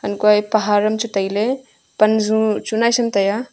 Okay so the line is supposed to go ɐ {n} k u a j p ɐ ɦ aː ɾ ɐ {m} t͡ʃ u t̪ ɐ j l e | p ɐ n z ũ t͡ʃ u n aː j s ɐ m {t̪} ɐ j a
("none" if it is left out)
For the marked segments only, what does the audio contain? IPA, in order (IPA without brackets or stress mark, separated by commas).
n, m, t̪